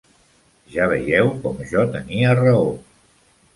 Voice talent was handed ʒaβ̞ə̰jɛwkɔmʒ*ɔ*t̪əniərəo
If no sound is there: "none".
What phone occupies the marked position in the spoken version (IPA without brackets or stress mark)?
ɔ